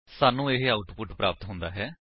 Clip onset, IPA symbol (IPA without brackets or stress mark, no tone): s